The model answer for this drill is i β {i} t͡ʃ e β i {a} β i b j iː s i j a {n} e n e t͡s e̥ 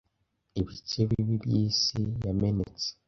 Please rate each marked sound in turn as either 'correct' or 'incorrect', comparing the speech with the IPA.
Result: correct, incorrect, incorrect

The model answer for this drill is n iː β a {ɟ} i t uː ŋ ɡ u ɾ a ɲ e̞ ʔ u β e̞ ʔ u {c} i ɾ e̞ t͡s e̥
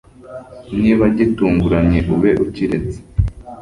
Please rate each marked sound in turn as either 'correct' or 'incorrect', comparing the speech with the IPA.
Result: correct, correct

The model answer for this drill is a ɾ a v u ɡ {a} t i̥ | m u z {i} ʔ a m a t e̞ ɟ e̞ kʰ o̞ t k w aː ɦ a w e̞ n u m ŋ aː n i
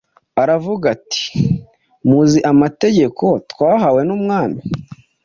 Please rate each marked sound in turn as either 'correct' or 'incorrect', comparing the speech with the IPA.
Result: correct, correct

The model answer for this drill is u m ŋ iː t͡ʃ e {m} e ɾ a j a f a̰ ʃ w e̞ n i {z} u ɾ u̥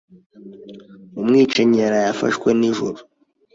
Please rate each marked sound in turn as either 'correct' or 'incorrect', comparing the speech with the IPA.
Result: incorrect, incorrect

